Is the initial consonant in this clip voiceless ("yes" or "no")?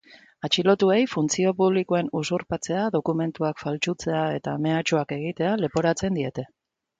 yes